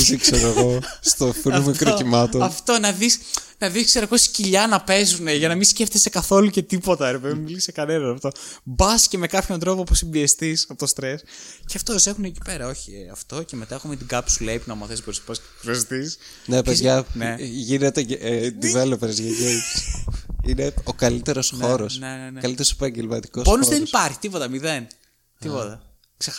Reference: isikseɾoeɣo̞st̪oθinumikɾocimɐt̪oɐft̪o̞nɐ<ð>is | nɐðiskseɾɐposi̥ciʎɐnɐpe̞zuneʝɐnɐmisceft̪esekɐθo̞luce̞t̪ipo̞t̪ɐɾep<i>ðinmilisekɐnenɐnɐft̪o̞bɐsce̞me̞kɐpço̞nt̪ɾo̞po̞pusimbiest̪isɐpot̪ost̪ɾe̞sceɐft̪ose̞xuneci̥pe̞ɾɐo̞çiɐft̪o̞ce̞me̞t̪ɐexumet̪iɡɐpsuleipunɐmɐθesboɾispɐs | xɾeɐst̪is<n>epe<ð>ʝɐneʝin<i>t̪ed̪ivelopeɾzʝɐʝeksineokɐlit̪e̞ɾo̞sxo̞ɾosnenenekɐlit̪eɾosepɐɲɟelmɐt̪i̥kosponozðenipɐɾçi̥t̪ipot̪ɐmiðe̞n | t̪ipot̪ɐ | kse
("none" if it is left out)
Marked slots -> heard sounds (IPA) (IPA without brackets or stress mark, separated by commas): ð, e, n, z, e